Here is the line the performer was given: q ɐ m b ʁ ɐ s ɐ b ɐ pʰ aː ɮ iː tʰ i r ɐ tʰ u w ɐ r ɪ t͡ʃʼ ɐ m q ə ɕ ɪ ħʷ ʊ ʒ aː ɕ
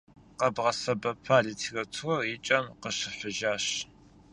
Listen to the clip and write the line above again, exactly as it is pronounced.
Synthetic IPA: q ɐ b ʁ ɐ s ɐ b ɐ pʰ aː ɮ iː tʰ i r ɐ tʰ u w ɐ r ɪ t͡ʃʼ ɐ m q ə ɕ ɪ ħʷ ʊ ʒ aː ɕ